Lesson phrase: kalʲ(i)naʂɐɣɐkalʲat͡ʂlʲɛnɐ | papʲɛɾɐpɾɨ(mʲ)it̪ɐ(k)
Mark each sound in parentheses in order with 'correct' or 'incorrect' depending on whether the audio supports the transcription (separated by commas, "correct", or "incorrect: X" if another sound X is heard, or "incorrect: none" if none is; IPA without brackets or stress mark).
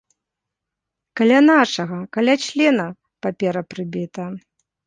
incorrect: a, incorrect: bʲ, incorrect: none